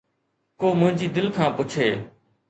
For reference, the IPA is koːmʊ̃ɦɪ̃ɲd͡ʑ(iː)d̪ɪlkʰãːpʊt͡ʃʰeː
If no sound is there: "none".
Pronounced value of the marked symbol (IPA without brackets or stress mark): iː